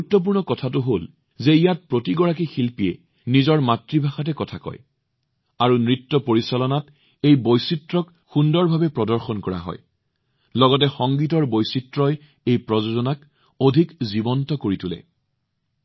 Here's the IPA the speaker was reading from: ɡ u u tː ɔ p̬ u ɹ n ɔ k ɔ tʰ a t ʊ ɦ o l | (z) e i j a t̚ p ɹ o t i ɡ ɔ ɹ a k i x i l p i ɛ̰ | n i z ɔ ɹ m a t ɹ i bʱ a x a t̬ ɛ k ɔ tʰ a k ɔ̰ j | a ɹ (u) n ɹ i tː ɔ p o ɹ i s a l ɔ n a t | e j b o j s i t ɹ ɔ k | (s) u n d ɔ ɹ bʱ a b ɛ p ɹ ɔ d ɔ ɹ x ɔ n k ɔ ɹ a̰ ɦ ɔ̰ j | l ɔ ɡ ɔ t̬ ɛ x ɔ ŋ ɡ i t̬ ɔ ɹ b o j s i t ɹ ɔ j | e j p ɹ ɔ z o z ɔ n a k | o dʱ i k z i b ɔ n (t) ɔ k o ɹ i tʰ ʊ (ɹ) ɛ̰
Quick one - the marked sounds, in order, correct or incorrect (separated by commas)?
correct, correct, incorrect, correct, incorrect